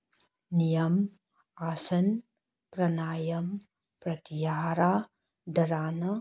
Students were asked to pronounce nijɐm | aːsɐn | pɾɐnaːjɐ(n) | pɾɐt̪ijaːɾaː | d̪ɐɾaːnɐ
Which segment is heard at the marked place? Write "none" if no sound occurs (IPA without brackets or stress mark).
m